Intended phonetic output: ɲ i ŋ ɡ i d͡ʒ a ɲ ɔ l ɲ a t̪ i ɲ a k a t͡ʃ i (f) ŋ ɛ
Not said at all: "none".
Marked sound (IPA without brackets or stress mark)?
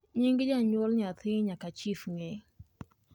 f